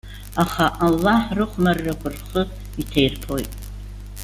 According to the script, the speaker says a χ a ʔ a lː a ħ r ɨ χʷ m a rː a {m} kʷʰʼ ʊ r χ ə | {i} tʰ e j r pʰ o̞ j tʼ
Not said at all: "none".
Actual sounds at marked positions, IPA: none, i

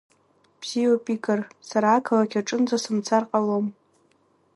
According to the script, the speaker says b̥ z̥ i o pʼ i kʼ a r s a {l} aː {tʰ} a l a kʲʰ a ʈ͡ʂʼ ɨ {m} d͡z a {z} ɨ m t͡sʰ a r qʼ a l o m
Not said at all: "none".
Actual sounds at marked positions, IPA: ɾ, kʰ, n, s

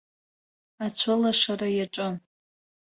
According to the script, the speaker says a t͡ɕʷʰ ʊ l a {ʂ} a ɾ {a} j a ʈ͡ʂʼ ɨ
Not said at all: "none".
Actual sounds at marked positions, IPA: ʂ, a

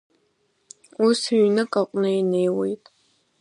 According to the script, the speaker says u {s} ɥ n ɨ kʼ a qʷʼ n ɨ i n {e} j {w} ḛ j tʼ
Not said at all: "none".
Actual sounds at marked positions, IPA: s, e, w

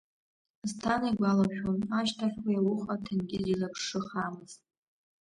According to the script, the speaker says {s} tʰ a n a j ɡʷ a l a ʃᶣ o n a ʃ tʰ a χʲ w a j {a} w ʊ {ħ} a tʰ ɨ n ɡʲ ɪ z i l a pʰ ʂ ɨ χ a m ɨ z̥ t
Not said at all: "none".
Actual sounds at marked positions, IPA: z, a, χ

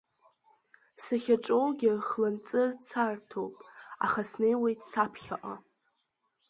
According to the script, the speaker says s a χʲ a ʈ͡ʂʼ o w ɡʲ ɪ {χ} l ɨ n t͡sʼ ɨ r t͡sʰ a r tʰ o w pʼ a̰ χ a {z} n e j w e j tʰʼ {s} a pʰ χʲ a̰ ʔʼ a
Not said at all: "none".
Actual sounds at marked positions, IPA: χ, s, s

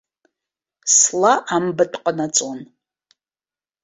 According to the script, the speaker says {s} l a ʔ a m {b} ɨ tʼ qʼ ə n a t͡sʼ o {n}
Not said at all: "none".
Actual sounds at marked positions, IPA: s, b, n

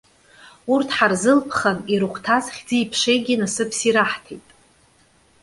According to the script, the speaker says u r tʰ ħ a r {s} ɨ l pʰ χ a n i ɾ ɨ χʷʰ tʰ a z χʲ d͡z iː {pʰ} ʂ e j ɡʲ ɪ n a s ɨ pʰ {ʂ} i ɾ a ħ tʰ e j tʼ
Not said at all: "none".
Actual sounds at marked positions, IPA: z, pʰ, s

